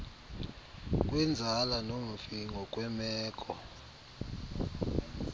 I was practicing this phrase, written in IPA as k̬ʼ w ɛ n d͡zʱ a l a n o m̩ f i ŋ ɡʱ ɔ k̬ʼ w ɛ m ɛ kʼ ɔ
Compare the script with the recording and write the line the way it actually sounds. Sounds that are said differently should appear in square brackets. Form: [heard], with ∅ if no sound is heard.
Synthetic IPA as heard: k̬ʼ w ɛ n d͡zʱ a l a n o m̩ f i ŋ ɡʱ ɔ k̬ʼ w ɛ m [ɛː] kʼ ɔ